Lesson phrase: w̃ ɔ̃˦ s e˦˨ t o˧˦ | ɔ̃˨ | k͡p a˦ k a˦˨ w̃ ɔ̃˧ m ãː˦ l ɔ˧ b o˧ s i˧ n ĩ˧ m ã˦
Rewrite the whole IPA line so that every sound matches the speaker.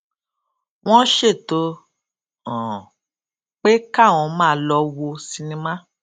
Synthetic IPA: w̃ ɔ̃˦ ʃ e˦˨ t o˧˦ | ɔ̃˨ | k͡p e˦ k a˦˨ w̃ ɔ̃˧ m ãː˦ l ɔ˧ w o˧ s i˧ n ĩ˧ m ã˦

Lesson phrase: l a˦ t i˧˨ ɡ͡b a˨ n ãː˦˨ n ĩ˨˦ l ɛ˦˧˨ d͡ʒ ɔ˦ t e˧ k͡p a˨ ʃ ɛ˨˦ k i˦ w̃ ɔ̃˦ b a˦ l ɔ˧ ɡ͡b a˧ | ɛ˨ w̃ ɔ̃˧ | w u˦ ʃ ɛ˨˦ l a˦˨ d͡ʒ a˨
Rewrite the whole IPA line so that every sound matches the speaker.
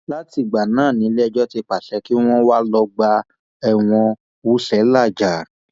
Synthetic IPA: l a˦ t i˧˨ ɡ͡b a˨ n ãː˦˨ n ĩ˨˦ l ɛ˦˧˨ d͡ʒ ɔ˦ t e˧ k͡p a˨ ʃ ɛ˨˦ k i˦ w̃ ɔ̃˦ w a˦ l ɔ˧ ɡ͡b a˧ | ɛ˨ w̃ ɔ̃˧ | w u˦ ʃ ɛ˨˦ l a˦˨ d͡ʒ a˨

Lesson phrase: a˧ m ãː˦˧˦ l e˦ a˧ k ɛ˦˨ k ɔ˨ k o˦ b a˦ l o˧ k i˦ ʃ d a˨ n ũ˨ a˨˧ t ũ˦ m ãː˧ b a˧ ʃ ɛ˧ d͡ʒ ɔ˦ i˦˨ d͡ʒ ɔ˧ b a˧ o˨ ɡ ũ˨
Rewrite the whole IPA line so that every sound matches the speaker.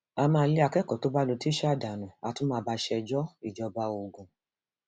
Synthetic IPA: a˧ m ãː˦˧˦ l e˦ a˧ k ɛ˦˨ k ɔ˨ t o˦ b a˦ l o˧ t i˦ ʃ d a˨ n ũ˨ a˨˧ t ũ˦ m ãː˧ b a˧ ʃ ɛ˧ d͡ʒ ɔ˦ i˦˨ d͡ʒ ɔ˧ b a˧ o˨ ɡ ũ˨

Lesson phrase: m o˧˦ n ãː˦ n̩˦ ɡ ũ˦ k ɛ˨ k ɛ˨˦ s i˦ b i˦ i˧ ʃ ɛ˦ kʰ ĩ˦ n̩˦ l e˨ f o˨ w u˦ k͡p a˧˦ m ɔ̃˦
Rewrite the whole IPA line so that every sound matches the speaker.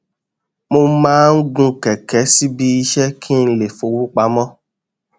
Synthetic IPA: m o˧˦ m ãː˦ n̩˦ ɡ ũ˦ k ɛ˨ k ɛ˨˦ s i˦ b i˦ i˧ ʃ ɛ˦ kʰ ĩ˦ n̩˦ l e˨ f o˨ w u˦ k͡p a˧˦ m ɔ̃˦

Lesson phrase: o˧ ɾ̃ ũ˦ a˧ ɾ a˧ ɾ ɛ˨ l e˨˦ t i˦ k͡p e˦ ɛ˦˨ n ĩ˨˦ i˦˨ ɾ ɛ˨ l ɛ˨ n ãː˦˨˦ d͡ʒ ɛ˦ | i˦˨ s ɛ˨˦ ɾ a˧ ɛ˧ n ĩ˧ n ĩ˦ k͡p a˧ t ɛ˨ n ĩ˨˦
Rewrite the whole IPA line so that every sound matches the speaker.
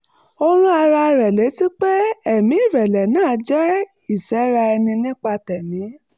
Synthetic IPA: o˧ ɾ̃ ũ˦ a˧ ɾ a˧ ɾ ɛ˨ l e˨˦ t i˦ k͡p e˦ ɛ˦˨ m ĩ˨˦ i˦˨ ɾ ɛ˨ l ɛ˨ n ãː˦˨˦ d͡ʒ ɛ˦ | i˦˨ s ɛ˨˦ ɾ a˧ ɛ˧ n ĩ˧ n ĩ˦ k͡p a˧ t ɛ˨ n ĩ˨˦

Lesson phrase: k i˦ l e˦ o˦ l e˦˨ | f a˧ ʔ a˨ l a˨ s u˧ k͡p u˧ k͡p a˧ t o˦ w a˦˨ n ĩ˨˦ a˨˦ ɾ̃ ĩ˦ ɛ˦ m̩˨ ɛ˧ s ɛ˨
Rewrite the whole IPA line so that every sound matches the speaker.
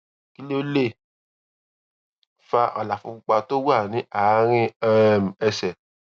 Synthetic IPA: k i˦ l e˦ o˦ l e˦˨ | f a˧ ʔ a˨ l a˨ f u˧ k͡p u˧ k͡p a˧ t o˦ w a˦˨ n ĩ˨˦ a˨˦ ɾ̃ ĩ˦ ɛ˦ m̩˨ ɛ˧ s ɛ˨

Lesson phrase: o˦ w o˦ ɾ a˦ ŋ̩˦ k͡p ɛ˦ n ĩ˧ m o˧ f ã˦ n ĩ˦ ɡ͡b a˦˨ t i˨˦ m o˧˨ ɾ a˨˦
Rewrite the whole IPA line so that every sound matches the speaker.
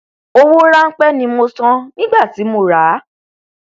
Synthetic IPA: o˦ w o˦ ɾ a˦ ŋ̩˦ k͡p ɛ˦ n ĩ˧ m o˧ s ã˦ n ĩ˦ ɡ͡b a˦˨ t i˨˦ m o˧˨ ɾ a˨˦

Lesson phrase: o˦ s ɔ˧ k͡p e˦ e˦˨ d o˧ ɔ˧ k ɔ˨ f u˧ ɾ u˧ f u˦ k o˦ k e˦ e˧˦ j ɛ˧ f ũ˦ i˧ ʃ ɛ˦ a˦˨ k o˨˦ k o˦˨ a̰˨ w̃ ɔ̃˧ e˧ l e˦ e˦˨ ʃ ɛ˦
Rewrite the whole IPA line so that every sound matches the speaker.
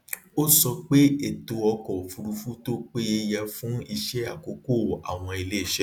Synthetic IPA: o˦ s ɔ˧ k͡p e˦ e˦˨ t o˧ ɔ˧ k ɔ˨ f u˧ ɾ u˧ f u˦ t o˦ k͡p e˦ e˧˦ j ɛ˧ f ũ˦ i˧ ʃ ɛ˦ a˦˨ k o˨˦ k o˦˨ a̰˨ w̃ ɔ̃˧ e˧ l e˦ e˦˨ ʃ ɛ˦

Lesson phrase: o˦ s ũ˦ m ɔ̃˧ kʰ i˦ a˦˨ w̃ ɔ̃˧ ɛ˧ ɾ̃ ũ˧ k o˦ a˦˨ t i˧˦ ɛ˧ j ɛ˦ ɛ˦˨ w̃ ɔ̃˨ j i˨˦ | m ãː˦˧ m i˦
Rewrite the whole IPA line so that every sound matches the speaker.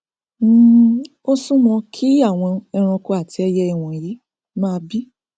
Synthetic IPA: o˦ s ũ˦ m ɔ̃˧ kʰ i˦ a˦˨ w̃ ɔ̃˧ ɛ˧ ɾ̃ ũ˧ k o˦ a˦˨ t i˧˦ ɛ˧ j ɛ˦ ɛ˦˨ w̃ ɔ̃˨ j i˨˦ | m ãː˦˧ b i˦

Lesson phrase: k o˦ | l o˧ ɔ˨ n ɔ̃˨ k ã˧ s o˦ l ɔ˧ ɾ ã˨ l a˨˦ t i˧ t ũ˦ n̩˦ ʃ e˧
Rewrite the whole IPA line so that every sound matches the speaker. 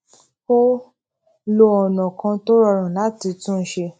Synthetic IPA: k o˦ | l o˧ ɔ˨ n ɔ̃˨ k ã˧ t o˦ ɾ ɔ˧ ɾ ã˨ l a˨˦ t i˧ t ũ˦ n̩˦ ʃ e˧

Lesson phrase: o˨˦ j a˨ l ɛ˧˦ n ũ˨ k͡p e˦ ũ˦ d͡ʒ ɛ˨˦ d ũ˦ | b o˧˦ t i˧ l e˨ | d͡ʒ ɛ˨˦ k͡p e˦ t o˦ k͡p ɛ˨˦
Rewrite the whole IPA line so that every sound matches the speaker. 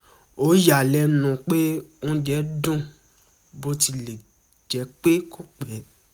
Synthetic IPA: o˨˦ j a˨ l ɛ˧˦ n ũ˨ k͡p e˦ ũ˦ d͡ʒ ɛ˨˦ d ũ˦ | b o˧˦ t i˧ l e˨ | d͡ʒ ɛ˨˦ k͡p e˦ k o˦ k͡p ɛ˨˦

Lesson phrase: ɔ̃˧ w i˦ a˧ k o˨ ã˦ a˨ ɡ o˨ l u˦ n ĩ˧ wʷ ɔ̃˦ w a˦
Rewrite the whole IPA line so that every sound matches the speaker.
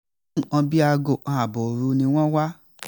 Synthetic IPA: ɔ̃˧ b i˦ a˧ ɡ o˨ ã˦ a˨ b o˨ ɾ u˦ n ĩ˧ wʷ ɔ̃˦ w a˦

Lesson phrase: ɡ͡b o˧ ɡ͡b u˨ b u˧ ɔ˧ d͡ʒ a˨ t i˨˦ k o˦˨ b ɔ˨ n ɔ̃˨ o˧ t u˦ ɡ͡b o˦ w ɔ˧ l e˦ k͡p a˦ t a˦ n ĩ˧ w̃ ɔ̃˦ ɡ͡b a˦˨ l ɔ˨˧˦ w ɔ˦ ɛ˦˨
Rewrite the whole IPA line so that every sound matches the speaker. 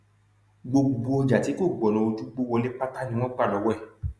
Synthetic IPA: ɡ͡b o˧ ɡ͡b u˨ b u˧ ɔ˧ d͡ʒ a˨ t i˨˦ k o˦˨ ɡ͡b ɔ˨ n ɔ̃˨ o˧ t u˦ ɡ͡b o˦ w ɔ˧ l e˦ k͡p a˦ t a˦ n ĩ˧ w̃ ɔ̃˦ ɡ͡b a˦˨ l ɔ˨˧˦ w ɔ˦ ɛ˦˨

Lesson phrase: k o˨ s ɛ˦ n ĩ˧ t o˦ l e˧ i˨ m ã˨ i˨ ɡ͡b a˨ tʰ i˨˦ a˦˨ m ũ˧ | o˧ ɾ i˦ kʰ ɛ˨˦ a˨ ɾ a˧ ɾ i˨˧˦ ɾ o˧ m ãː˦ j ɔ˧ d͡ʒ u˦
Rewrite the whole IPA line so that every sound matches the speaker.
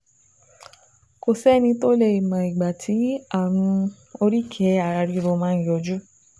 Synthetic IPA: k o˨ s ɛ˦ n ĩ˧ t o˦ l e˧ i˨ m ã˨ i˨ ɡ͡b a˨ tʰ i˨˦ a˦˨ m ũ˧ | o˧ ɾ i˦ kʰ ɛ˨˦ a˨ ɾ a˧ ɾ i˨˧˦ ɾ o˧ m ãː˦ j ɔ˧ d͡ʒ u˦

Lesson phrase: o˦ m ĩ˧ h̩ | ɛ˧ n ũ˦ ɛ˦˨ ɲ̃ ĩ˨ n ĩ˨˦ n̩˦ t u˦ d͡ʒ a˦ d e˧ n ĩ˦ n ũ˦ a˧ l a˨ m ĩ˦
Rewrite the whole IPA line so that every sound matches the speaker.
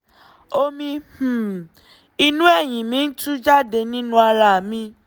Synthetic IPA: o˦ m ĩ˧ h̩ | i˧ n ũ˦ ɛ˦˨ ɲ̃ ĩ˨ m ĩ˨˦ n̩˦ t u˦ d͡ʒ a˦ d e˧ n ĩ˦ n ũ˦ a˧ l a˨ m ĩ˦

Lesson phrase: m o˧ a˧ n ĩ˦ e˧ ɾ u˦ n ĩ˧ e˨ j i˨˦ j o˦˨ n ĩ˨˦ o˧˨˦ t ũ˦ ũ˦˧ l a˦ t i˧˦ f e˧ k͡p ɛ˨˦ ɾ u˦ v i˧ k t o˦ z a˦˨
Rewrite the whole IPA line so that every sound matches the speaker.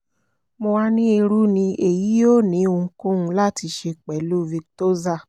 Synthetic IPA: m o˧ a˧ n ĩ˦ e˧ ɾ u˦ n ĩ˧ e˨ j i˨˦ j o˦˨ n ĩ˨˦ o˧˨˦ k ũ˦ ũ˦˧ l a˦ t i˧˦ ʃ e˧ k͡p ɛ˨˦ l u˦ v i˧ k t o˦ z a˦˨

